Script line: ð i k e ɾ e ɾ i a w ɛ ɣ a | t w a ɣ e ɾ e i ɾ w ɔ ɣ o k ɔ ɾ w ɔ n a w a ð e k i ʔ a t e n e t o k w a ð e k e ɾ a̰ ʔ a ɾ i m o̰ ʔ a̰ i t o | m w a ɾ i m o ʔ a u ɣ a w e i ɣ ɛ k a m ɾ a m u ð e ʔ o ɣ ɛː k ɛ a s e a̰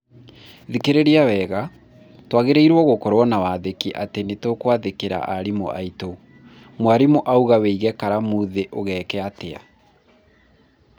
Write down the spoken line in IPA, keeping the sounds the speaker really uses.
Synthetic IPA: ð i k e ɾ e ɾ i a w ɛ ɣ a | t w a ɣ e ɾ e i ɾ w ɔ ɣ o k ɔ ɾ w ɔ n a w a ð e k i ʔ a t e n e t o k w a ð e k e ɾ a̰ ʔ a ɾ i m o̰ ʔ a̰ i t o | m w a ɾ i m o ʔ a u ɣ a w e i ɣ ɛ k a ɾ a m u ð e ʔ o ɣ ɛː k ɛ a t e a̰